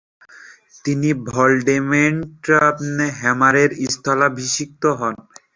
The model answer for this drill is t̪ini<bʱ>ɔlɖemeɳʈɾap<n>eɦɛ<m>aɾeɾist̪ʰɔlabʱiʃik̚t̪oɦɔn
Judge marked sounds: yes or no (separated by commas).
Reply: yes, yes, yes